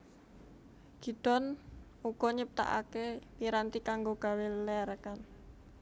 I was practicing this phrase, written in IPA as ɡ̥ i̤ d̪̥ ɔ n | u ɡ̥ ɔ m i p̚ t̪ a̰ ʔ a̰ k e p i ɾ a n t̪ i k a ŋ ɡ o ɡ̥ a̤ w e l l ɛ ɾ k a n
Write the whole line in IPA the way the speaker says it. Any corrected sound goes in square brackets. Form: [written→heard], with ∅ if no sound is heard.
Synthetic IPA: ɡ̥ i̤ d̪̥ ɔ n | u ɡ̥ ɔ [m→ɲ] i p̚ t̪ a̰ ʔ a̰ k e p i ɾ a n t̪ i k a ŋ ɡ o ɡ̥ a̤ w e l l ɛ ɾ k a n